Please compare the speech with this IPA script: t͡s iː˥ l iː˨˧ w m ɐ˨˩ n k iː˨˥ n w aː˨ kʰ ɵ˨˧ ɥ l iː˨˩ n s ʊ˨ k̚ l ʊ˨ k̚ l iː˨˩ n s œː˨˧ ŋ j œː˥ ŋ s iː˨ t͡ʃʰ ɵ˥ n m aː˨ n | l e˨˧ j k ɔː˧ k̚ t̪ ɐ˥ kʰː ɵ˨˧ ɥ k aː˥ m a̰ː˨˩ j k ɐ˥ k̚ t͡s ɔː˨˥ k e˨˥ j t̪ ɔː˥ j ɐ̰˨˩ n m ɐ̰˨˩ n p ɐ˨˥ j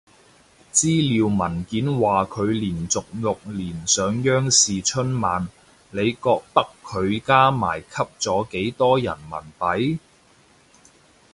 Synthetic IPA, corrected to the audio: t͡s iː˥ l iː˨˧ w m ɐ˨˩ n k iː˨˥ n w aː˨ kʰ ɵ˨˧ ɥ l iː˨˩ n t͡s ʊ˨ k̚ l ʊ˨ k̚ l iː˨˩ n s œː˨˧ ŋ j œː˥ ŋ s iː˨ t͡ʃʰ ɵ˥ n m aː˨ n | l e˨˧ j k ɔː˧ k̚ t̪ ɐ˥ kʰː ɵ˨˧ ɥ k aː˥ m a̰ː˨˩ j kʰ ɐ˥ p̚ t͡s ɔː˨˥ k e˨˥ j t̪ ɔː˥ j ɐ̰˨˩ n m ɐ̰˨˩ n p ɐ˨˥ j